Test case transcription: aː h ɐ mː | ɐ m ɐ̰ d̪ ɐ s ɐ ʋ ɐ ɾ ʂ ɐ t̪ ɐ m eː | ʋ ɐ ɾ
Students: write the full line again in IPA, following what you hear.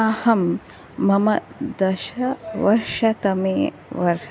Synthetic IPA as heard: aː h ɐ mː | ɐ m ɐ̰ d̪ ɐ ʃ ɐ ʋ ɐ ɾ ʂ ɐ t̪ ɐ m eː | ʋ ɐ ɾ

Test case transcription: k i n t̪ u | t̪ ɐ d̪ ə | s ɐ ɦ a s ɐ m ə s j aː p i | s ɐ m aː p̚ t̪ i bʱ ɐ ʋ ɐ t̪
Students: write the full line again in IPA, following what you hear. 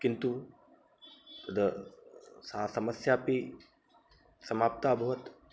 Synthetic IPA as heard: k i n t̪ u | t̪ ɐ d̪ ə | s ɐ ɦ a s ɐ m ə s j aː p i | s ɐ m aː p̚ t̪ a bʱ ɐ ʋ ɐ t̪

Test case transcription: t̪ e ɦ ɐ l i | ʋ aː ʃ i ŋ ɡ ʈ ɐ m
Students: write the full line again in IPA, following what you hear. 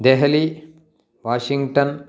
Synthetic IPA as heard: d̪ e ɦ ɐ l i | ʋ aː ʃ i ŋ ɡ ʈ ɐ n

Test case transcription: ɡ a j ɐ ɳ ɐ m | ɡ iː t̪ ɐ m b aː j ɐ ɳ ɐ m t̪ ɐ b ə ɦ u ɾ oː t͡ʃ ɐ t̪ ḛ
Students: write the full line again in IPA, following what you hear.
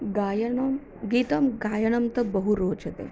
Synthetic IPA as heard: ɡ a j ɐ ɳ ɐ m | ɡ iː t̪ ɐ m ɡ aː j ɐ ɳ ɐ m t̪ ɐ b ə ɦ u ɾ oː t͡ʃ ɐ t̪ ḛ

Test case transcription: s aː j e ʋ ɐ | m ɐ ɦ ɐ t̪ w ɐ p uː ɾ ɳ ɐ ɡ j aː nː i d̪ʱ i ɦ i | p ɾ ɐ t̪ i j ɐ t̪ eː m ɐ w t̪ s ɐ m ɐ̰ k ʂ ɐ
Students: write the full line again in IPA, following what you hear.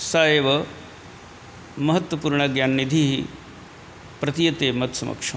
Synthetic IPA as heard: s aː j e ʋ ɐ | m ɐ ɦ ɐ t̪ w ɐ p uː ɾ ɳ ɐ ɡ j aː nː i d̪ʱ i ɦ i | p ɾ ɐ t̪ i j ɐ t̪ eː m ɐ t̪ s ɐ m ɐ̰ k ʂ ɐ

